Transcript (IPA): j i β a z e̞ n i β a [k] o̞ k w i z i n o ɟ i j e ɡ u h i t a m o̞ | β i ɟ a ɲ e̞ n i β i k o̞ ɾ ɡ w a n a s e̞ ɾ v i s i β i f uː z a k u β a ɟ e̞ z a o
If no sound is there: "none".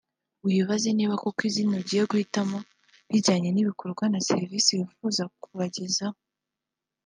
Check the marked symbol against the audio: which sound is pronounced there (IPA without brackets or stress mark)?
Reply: k